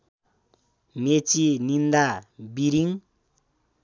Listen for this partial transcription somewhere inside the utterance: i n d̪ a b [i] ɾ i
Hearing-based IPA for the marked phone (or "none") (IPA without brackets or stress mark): i